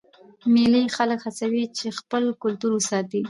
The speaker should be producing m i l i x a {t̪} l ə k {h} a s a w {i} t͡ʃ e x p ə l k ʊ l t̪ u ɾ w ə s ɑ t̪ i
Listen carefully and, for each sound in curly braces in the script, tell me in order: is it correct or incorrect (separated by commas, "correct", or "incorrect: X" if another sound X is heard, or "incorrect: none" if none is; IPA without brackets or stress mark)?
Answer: incorrect: none, correct, correct